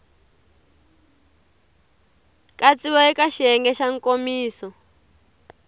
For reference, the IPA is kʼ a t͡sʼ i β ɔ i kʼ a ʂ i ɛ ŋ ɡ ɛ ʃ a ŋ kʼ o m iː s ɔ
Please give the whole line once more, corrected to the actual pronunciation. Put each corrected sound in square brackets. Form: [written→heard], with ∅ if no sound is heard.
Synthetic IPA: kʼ a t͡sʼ i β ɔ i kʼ a [ʂ→ʃ] i ɛ ŋ ɡ ɛ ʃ a ŋ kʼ o m iː s ɔ